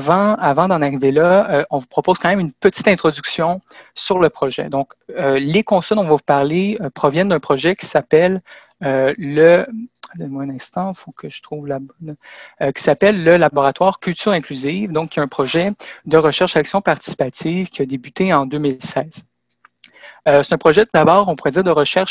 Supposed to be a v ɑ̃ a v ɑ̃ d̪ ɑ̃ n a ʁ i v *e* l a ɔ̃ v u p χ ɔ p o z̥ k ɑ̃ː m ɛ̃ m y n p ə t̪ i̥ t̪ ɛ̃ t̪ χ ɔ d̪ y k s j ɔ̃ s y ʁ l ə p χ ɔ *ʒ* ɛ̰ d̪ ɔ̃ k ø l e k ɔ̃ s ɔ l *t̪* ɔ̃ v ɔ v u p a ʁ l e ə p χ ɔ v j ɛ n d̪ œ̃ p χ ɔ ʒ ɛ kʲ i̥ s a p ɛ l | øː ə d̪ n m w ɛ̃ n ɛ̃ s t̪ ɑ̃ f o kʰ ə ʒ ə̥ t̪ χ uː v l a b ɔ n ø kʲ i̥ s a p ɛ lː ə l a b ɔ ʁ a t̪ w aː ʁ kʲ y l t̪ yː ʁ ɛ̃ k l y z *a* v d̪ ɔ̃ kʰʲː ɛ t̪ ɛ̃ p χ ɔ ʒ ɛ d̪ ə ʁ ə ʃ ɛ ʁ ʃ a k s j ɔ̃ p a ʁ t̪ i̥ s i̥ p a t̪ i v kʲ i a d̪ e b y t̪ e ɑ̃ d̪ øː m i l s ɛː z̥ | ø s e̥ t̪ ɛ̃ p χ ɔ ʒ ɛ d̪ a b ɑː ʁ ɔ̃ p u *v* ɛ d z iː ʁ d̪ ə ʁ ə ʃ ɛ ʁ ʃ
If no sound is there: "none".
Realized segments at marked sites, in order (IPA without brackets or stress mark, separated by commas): e, ʒ, d̪, i, ʁ